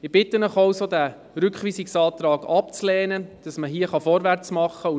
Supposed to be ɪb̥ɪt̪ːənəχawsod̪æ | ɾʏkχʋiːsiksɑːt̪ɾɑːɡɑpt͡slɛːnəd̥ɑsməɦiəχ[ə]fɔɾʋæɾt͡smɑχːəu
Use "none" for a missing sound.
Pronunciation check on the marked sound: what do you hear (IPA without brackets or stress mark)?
ɑ